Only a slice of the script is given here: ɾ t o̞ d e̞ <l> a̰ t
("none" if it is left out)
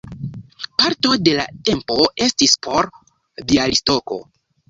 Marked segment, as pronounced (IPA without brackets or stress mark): l